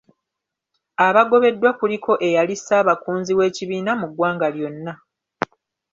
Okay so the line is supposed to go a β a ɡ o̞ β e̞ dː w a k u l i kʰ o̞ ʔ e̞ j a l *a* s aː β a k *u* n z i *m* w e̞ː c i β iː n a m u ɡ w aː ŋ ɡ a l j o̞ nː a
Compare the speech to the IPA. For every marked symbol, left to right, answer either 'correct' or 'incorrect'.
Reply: incorrect, incorrect, incorrect

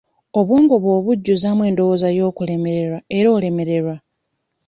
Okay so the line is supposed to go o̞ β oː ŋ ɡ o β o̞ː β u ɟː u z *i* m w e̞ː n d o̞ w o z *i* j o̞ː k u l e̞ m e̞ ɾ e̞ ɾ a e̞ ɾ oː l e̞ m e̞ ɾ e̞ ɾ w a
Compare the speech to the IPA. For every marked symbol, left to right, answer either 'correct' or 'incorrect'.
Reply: incorrect, incorrect

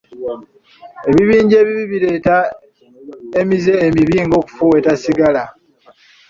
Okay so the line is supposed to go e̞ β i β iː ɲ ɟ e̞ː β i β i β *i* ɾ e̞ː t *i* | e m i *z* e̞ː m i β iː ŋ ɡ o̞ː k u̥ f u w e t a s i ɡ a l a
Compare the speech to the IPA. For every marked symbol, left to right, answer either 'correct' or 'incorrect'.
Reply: correct, incorrect, correct

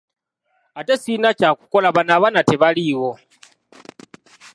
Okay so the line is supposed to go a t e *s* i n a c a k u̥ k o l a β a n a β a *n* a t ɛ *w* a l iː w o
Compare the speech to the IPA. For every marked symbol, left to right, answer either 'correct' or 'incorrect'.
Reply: correct, correct, incorrect

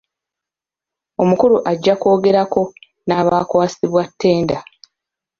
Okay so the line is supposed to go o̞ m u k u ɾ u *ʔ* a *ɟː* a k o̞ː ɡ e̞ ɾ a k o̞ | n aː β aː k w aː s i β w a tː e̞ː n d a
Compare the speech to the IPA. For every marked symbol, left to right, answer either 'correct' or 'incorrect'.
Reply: correct, correct

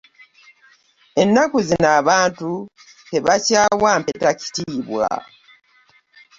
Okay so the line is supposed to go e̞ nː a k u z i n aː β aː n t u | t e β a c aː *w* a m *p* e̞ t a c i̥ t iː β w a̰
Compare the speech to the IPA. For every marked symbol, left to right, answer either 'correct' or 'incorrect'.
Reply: correct, correct

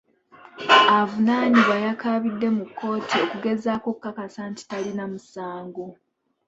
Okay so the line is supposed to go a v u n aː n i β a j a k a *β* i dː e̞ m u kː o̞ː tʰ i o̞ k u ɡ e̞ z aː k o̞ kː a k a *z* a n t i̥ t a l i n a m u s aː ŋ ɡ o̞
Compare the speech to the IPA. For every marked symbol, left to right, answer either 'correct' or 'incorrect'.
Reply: correct, incorrect

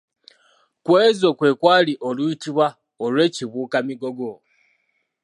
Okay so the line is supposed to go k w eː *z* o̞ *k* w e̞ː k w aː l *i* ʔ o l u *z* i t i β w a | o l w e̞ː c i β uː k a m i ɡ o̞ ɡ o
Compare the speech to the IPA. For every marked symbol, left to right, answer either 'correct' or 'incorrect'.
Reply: correct, correct, correct, incorrect

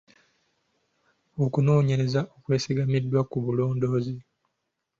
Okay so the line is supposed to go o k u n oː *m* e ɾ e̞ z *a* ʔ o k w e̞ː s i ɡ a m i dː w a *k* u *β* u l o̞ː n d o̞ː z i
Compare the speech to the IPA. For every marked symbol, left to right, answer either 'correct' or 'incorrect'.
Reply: incorrect, correct, correct, correct

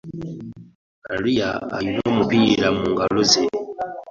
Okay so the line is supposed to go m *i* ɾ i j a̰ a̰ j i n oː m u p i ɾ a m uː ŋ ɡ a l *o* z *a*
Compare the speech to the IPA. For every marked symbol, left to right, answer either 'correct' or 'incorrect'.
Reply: incorrect, correct, incorrect

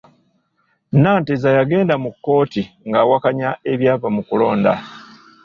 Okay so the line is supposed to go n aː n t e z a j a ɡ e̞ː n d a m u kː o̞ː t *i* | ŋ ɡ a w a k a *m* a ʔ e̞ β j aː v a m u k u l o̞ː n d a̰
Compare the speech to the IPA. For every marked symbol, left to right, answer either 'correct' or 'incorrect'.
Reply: correct, incorrect

